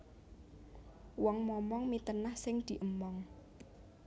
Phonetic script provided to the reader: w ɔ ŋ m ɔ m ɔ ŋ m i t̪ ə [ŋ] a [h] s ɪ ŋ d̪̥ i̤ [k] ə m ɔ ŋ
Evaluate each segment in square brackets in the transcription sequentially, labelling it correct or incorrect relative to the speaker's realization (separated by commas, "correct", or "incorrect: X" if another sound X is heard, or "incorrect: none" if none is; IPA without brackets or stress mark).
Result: incorrect: n, correct, incorrect: ʔ